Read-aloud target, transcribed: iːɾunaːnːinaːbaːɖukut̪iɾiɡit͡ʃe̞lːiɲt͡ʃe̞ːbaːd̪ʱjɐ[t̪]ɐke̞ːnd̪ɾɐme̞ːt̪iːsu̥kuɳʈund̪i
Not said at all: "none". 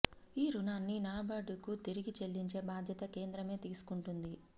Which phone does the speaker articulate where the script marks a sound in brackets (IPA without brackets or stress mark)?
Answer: t̪